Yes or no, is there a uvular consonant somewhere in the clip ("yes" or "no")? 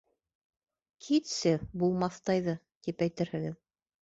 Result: no